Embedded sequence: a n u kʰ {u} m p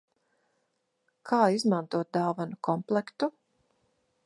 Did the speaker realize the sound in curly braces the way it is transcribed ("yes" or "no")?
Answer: no